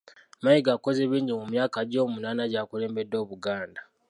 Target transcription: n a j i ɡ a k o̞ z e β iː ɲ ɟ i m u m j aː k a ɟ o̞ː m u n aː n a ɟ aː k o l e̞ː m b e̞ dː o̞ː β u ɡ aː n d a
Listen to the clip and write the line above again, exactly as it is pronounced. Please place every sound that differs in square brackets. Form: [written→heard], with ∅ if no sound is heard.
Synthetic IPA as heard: [n→m] a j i ɡ a k o̞ z e β iː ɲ ɟ i m u m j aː k a ɟ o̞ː m u n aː n a ɟ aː k [o→u] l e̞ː m b e̞ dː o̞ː β u ɡ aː n d a